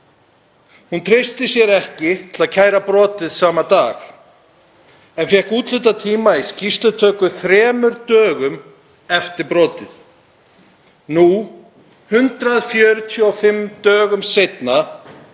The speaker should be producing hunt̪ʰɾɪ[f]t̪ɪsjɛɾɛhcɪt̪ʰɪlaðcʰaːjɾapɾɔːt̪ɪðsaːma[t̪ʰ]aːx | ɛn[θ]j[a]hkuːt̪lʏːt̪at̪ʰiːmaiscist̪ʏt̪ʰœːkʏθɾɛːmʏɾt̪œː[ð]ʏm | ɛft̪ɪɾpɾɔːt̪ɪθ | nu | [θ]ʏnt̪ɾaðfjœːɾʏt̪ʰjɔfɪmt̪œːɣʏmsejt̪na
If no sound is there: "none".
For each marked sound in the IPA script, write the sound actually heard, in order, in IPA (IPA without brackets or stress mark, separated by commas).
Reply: s, t̪, f, ɛ, ɣ, h